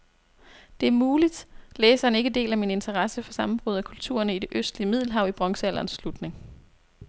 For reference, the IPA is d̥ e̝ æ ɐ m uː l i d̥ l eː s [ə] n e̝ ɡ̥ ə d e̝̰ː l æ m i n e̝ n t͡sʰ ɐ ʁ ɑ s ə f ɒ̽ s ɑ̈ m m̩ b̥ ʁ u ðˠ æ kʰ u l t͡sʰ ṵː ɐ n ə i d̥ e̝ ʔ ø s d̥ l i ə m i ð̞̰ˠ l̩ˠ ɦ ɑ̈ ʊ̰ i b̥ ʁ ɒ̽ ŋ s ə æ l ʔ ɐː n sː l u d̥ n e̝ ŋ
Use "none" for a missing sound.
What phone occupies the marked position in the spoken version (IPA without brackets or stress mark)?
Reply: ɐ